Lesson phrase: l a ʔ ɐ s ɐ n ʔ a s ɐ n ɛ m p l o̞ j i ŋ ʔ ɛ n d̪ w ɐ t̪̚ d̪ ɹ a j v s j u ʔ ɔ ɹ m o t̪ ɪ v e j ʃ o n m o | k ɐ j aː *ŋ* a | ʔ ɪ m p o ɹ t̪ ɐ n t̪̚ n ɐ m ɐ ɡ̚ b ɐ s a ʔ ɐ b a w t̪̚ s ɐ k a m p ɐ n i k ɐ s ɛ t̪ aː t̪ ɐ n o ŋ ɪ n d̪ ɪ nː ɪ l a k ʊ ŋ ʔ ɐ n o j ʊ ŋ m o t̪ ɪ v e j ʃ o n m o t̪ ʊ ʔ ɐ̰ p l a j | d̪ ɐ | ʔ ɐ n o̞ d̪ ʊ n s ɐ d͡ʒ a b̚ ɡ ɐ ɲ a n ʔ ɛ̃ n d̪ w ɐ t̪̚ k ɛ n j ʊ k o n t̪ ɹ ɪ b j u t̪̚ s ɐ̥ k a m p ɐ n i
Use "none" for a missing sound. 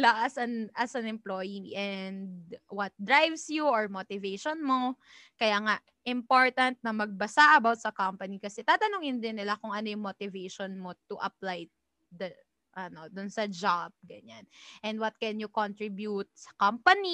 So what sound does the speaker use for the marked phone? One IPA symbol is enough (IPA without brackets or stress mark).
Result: ŋ